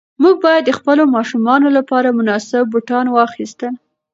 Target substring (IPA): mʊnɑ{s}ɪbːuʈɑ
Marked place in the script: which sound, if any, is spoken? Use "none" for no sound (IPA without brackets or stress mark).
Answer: s